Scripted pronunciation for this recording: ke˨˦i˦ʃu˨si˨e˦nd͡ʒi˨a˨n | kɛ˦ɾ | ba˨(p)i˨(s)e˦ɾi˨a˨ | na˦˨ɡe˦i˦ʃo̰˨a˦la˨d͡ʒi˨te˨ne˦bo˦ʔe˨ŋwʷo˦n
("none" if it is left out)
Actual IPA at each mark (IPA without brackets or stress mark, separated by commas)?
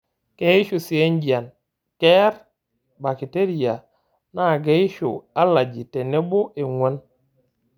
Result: k, t